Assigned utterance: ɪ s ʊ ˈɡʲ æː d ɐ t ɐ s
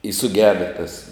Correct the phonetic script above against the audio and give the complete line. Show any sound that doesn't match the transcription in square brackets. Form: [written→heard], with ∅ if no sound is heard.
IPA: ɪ s ʊ ˈɡʲ æː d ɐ t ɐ s

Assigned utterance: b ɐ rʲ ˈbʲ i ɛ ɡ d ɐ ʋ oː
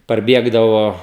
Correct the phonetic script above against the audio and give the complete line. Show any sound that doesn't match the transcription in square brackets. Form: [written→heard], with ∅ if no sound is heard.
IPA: [b→p] ɐ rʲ ˈbʲ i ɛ ɡ d ɐ ʋ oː

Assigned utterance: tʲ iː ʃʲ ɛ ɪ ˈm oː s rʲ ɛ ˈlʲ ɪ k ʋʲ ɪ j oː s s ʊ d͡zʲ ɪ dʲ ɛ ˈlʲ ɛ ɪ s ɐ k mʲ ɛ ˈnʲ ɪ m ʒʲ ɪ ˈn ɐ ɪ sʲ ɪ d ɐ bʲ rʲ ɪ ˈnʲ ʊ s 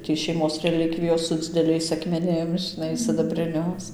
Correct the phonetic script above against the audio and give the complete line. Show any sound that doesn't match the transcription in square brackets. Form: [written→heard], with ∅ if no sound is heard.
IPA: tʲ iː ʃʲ ɛ ɪ ˈm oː s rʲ ɛ ˈlʲ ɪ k ʋʲ ɪ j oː s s ʊ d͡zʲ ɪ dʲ ɛ ˈlʲ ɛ ɪ s ɐ k mʲ ɛ ˈnʲ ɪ m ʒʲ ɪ ˈn ɐ ɪ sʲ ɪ d ɐ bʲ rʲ ɪ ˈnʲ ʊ s

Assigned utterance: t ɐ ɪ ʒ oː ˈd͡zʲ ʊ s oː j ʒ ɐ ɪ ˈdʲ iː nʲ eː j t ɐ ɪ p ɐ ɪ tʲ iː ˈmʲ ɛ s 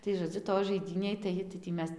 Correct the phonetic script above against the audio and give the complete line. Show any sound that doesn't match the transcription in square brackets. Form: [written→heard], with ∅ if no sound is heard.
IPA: t ɐ ɪ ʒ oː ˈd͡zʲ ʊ [s→t] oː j ʒ ɐ ɪ ˈdʲ iː nʲ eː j t ɐ ɪ [p→t] ɐ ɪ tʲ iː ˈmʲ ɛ s

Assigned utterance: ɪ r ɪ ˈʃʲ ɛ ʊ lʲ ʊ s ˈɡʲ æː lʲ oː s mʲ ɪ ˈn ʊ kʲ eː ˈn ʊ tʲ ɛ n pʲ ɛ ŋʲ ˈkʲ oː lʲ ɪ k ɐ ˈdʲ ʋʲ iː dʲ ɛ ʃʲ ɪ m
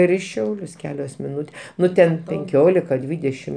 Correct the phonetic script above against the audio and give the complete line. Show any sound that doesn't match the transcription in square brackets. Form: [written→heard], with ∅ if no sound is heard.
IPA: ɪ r ɪ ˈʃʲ ɛ ʊ lʲ ʊ s [ˈɡʲ→ˈkʲ] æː lʲ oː s mʲ ɪ ˈn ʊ [kʲ→tʲ] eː ˈn ʊ tʲ ɛ n pʲ ɛ ŋʲ ˈkʲ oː lʲ ɪ k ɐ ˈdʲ ʋʲ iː dʲ ɛ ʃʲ ɪ m

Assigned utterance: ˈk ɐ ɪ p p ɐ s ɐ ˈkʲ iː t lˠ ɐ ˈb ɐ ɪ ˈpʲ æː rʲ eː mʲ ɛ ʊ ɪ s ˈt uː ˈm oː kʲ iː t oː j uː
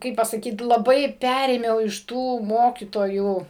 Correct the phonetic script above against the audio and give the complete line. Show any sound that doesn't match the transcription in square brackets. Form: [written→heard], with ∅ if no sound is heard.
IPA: ˈk ɐ ɪ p p ɐ s ɐ ˈkʲ iː t lˠ ɐ ˈb ɐ ɪ ˈpʲ æː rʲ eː mʲ ɛ ʊ ɪ [s→ʃ] ˈt uː ˈm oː kʲ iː t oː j uː

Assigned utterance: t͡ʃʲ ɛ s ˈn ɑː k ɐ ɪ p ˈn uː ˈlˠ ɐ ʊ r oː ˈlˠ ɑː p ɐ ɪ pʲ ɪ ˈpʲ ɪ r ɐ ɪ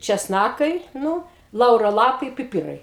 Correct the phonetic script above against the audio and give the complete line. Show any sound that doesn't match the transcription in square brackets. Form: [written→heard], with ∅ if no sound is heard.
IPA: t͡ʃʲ ɛ s ˈn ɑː k ɐ ɪ [p→∅] ˈn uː ˈlˠ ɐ ʊ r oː ˈlˠ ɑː p ɐ ɪ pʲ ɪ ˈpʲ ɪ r ɐ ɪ

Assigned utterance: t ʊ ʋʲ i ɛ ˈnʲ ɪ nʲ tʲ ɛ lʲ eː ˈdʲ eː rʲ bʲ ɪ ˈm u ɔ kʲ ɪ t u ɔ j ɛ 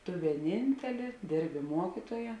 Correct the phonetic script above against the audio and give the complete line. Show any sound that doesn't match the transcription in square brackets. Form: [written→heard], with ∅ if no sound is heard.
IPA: t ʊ ʋʲ i ɛ ˈnʲ ɪ nʲ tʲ ɛ lʲ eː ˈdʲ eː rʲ bʲ ɪ ˈm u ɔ kʲ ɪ t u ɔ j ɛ

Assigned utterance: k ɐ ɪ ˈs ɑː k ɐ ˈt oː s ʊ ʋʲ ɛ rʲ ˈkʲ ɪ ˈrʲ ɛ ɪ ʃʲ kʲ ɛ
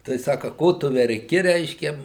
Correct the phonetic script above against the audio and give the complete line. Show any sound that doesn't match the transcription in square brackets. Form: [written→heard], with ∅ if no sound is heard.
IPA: [k→t] ɐ ɪ ˈs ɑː k ɐ [ˈt→ˈk] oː [s→t] ʊ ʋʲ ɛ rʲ ˈkʲ ɪ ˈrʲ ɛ ɪ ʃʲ kʲ ɛ

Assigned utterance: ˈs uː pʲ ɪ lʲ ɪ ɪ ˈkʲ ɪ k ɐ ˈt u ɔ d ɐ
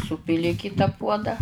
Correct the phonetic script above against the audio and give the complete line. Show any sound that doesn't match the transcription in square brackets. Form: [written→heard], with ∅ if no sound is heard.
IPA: ˈs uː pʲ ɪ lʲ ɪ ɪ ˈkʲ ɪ [k→t] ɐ [ˈt→ˈp] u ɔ d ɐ

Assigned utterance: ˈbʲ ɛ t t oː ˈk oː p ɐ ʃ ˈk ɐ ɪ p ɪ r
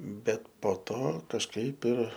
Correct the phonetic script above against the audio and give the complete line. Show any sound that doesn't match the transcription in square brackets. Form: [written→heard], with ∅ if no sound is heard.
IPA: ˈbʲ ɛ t [t→p] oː [ˈk→ˈt] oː [p→k] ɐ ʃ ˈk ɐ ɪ p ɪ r

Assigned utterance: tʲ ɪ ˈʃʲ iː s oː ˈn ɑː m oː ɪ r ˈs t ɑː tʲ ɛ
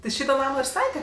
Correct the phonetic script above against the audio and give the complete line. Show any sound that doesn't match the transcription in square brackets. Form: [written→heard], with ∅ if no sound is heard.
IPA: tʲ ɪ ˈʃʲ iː [s→t] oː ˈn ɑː m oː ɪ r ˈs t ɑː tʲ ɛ

